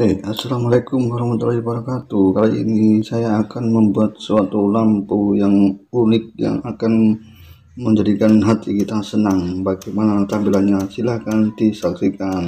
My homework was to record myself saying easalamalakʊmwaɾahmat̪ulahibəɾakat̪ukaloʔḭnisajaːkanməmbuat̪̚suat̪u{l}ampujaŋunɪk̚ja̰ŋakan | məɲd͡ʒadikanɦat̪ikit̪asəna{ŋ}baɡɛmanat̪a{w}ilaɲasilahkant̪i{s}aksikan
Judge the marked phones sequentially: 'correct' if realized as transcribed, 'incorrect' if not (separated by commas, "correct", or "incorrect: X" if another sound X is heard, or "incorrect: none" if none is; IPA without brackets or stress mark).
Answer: correct, correct, incorrect: b, correct